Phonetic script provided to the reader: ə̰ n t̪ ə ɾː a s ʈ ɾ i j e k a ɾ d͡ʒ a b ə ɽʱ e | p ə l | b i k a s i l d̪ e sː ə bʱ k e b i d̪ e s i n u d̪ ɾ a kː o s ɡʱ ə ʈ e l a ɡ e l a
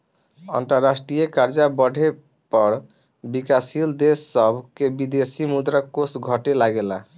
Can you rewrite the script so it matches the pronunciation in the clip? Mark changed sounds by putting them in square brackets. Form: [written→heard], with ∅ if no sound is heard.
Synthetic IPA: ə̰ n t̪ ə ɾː a s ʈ ɾ i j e k a ɾ d͡ʒ a b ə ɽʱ e | p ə [l→ɾ] | b i k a s i l d̪ e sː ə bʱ k e b i d̪ e s i [n→m] u d̪ ɾ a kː o s ɡʱ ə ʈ e l a ɡ e l a